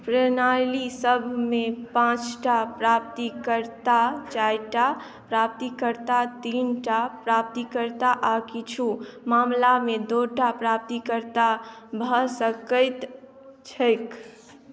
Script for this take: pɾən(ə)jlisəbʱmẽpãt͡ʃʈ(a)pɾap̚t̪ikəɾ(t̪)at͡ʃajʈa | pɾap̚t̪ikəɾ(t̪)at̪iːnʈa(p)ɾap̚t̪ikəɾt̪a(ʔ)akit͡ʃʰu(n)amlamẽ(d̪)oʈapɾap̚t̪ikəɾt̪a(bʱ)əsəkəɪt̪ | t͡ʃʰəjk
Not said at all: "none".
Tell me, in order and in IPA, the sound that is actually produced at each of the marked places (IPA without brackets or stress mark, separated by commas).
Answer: a, a, t̪, t̪, p, ʔ, m, d̪, bʱ